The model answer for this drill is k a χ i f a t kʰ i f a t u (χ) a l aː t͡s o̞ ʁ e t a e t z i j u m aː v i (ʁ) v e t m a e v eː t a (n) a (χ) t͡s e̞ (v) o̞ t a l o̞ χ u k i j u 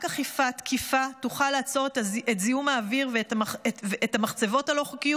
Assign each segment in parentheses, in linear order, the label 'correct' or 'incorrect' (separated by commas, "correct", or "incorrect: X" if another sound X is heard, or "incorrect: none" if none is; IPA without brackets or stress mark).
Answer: correct, correct, incorrect: m, correct, correct